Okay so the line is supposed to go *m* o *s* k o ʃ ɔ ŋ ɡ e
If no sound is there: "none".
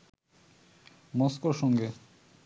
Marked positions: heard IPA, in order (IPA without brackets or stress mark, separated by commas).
m, s